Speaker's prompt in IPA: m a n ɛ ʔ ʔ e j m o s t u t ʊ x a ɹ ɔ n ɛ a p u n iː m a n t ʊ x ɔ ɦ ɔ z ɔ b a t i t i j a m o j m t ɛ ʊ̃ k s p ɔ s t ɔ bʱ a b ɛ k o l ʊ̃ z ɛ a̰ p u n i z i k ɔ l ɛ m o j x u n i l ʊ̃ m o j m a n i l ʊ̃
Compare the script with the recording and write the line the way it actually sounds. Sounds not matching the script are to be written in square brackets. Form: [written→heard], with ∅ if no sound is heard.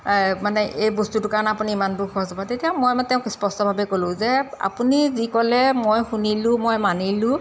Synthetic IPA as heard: m a n ɛ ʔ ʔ e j [m→b] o s t u t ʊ [x→k] a ɹ ɔ n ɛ a p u n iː m a n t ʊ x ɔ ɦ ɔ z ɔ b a t [i→e] t i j a m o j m t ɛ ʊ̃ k s p ɔ s t ɔ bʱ a b ɛ k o l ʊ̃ z ɛ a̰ p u n i z i k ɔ l ɛ m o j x u n i l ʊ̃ m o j m a n i l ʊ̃